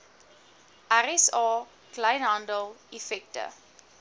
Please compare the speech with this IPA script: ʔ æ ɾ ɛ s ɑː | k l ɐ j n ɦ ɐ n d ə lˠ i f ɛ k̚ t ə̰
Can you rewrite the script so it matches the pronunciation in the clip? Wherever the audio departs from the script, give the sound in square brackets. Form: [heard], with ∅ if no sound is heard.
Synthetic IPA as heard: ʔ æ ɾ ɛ s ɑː | k l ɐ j n ɦ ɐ n d ə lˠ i f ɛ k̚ t ə̰